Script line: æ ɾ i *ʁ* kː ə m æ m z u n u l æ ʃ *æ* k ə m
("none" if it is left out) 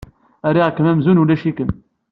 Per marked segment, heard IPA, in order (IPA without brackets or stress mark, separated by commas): ʁ, i